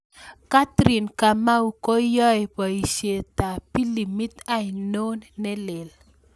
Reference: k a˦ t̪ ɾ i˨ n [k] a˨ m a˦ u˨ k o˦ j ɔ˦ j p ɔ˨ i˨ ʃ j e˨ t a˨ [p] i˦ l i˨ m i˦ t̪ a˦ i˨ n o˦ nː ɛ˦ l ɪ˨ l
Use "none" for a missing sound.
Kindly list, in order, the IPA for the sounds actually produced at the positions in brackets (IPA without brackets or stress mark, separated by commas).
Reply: k, p